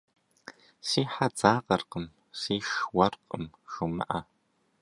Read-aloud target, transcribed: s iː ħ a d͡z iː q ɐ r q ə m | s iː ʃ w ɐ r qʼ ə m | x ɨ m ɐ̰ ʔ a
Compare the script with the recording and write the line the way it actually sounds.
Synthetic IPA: s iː ħ a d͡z aː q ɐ r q ə m | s iː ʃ w ɐ r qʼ ə m | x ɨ m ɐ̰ ʔ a